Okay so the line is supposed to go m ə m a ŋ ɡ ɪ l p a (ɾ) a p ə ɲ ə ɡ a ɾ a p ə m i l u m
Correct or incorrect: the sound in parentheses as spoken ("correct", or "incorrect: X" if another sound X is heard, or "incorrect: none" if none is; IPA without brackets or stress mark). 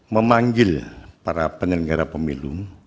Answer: correct